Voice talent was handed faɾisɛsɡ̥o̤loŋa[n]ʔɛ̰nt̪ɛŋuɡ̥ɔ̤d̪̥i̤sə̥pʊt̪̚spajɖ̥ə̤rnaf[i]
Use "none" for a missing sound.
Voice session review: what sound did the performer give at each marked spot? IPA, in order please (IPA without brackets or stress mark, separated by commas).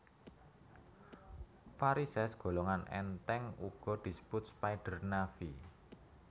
n, i